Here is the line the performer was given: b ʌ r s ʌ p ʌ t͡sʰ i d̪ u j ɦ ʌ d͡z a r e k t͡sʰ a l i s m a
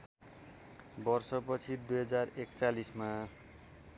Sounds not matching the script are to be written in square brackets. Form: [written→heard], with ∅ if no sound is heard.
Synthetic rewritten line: b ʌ r s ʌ p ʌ t͡sʰ i d̪ u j ɦ ʌ d͡z a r e k [t͡sʰ→t͡s] a l i s m a